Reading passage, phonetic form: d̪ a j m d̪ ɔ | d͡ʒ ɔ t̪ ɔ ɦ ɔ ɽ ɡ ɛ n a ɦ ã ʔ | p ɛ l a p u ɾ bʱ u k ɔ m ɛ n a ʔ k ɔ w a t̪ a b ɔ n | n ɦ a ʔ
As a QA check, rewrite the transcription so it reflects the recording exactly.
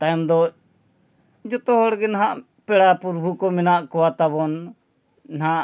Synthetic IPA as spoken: t̪ a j m d̪ ɔ | d͡ʒ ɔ t̪ ɔ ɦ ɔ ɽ ɡ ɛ n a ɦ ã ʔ | p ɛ ɽ a p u ɾ bʱ u k ɔ m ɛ n a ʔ k ɔ w a t̪ a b ɔ n | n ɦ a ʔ

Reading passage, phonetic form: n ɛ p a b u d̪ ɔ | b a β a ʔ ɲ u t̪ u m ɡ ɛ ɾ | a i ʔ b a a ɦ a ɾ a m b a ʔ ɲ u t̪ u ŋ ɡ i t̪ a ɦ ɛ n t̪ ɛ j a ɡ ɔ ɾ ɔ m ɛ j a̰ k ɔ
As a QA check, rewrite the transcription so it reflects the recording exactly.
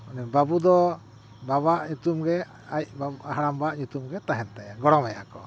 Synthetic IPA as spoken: n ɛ b a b u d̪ ɔ | b a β a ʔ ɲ u t̪ u m ɡ ɛ | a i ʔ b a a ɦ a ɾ a m b a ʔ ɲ u t̪ u m ɡ ɛ t̪ a ɦ ɛ n t̪ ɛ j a ɡ ɔ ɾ ɔ m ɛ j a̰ k ɔ

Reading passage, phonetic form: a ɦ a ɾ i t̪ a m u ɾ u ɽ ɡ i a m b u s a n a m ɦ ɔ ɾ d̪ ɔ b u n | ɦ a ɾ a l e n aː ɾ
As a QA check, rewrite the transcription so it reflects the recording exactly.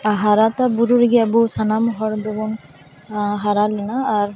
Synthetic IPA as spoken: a ɦ a ɾ a t̪ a b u ɾ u ɾ ɡ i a b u s a n a m ɦ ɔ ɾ d̪ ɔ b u n | ɦ a ɾ a l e n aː ɾ

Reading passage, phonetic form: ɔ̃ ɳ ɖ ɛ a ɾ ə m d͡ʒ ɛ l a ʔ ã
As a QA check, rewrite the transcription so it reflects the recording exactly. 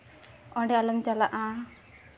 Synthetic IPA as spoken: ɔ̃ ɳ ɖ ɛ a l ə m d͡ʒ a l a ʔ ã

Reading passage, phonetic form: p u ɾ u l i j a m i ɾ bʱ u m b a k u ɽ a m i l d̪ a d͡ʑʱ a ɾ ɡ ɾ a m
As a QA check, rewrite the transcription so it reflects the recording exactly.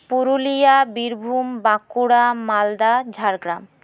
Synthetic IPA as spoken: p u ɾ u l i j a b i ɾ bʱ u m b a k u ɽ a m a l d̪ a d͡ʑʱ a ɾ ɡ ɾ a m

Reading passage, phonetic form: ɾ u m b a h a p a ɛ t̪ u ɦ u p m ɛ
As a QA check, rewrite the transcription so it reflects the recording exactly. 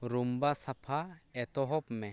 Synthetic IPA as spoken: ɾ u m b a s a pʰ a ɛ t̪ ɔ ɦ ɔ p m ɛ

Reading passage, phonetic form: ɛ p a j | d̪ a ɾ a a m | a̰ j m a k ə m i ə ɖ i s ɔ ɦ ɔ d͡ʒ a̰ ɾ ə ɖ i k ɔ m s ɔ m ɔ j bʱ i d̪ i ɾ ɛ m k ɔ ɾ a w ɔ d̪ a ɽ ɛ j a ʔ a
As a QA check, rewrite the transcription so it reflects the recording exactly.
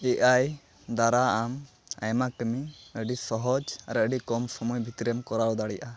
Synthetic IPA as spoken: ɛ ʔ a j | d̪ a ɾ a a m | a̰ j m a k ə m i ə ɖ i s ɔ ɦ ɔ d͡ʒ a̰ ɾ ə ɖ i k ɔ m s ɔ m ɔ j bʱ i t̪ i ɾ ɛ m k ɔ ɾ a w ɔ d̪ a ɽ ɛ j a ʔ a

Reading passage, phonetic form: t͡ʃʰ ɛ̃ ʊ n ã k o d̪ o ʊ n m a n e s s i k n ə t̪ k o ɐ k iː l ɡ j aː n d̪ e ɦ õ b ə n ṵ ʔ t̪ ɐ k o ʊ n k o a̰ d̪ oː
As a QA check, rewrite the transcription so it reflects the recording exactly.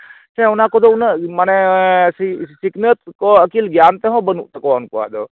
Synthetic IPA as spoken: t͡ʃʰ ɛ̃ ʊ n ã k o d̪ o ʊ n m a n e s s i k n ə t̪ k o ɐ k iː l ɡ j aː n t̪ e ɦ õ b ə n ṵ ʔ t̪ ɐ k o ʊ n k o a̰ d̪ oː

